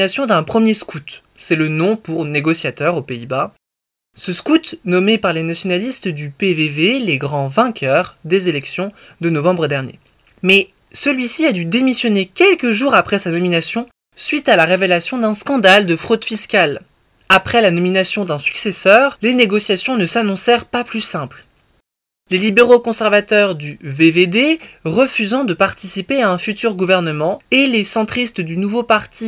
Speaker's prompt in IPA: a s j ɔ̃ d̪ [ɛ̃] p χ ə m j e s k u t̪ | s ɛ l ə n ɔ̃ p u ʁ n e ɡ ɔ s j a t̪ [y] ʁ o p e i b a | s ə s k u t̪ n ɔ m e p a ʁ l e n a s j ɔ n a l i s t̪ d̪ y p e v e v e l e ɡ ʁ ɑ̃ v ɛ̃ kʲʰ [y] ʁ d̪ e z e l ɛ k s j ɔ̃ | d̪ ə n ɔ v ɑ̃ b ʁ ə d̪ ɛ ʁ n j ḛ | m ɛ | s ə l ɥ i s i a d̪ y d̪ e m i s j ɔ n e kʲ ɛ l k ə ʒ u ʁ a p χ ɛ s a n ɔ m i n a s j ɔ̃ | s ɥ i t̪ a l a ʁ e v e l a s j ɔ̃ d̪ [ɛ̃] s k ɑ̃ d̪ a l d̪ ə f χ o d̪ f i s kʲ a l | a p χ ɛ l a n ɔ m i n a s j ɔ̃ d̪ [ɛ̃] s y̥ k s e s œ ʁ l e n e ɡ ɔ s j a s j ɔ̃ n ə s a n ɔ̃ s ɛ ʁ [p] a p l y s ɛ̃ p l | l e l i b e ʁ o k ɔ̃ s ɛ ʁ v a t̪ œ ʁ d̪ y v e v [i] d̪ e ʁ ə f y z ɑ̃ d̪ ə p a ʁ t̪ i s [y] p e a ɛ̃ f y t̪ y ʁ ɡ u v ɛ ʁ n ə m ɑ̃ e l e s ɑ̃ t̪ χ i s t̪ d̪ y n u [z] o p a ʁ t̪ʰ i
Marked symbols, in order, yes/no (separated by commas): yes, no, no, yes, yes, yes, no, no, no